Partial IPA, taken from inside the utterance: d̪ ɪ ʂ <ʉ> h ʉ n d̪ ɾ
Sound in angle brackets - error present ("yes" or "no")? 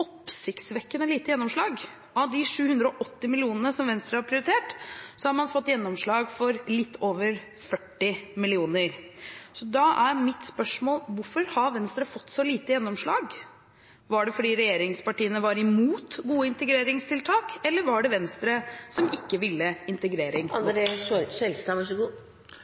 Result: yes